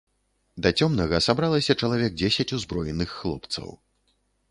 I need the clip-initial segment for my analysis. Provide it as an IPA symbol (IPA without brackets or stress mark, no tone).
d̪